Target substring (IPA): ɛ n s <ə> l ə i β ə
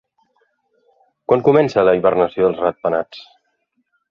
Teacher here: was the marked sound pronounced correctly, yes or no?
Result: yes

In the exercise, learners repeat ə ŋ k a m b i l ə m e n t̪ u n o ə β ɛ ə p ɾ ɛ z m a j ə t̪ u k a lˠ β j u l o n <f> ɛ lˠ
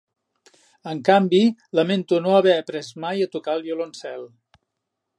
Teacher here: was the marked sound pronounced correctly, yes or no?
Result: no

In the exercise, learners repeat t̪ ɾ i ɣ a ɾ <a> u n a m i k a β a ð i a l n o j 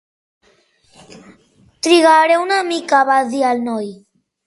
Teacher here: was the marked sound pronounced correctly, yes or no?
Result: no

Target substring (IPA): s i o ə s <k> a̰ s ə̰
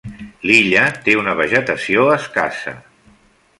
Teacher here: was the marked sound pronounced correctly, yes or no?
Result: yes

